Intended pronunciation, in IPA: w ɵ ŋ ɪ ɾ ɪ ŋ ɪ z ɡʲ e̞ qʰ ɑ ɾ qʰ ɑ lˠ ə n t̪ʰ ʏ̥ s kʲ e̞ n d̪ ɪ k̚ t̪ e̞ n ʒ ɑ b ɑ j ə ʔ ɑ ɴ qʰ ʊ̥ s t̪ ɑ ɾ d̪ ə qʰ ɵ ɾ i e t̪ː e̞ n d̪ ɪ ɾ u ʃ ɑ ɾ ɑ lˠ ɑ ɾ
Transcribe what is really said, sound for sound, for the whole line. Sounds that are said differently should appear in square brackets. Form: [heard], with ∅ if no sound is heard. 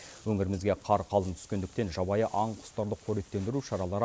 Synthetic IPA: w ɵ ŋ ɪ ɾ ɪ [m] ɪ z ɡʲ e̞ qʰ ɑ ɾ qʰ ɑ lˠ ə n t̪ʰ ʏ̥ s kʲ e̞ n d̪ ɪ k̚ t̪ e̞ n ʒ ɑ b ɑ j ə ʔ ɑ ɴ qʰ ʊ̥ s t̪ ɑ ɾ d̪ ə qʰ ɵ ɾ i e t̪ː e̞ n d̪ ɪ ɾ u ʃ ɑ ɾ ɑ lˠ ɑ ɾ